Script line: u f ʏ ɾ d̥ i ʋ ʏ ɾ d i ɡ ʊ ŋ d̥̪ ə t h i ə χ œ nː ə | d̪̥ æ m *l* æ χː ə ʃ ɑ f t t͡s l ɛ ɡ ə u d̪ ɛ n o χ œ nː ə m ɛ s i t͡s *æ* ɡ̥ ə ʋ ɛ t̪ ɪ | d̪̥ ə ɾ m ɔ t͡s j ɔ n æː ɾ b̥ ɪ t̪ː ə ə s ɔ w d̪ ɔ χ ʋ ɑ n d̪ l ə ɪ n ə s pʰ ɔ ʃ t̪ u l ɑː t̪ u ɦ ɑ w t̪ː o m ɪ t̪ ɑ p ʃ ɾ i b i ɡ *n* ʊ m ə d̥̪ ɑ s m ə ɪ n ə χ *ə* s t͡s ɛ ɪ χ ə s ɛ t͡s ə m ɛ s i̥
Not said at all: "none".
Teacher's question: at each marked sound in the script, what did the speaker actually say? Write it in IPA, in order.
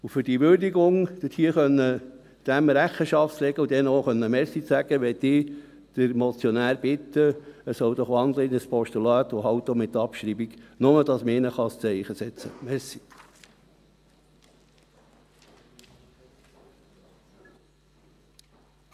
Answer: ɾ, æ, n, ɑ

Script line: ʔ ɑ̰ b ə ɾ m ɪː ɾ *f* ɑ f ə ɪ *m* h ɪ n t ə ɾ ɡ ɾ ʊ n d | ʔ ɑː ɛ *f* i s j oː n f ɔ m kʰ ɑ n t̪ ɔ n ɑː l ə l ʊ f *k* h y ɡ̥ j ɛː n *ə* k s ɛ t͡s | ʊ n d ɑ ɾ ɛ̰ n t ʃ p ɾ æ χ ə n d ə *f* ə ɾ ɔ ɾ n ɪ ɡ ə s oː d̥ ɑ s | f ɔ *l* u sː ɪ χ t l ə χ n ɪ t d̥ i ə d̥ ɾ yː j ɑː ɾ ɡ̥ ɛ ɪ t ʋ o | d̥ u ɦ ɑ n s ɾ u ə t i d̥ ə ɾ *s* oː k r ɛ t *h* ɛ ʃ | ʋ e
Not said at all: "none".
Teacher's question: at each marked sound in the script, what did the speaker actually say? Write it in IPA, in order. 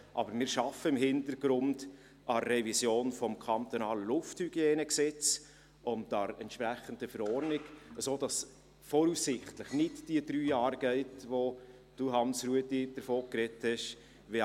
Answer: ʃ, m, v, t, ə, f, ɾ, f, h

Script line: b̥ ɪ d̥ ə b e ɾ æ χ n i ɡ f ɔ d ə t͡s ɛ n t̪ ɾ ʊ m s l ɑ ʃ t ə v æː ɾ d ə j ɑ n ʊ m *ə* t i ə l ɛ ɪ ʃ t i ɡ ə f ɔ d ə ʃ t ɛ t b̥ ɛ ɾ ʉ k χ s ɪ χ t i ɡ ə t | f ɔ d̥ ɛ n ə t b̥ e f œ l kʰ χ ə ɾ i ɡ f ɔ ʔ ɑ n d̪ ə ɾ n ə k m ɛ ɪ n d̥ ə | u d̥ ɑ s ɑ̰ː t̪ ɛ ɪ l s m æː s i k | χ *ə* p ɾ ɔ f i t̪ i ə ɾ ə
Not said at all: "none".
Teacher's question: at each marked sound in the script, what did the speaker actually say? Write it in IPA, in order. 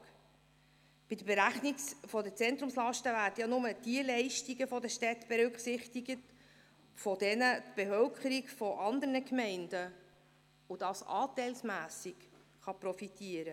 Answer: ə, ɑ

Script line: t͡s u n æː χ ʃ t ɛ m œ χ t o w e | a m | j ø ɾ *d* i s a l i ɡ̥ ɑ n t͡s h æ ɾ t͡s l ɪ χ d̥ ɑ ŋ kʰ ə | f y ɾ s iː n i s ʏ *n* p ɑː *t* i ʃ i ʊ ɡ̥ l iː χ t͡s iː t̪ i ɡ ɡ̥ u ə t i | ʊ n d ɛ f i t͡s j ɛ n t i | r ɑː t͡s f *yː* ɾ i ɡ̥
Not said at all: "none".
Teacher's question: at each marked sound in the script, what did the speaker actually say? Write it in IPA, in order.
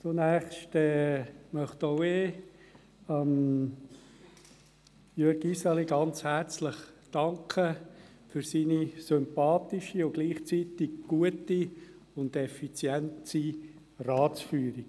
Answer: ɡ, m, t, yː

